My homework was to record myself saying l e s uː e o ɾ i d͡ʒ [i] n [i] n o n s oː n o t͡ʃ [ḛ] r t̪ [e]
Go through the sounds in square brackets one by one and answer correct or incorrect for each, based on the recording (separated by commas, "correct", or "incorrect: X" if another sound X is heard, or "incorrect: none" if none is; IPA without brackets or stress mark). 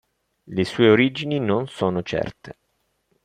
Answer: correct, correct, incorrect: ɛ̰, correct